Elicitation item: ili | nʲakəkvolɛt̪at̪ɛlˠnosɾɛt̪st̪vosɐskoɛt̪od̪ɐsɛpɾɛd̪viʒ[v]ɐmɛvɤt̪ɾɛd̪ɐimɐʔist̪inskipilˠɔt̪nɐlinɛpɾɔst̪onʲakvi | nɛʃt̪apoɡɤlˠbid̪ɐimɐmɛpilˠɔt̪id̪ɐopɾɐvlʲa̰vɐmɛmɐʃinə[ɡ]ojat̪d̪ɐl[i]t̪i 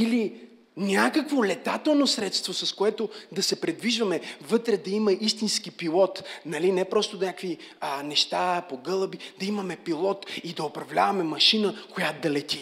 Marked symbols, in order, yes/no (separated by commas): yes, no, no